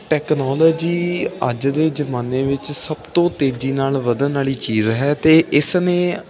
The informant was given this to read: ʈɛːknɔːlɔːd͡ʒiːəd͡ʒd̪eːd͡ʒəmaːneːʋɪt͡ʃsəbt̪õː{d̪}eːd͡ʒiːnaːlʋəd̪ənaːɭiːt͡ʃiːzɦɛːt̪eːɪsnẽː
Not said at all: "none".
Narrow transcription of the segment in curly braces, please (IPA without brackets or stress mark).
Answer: t̪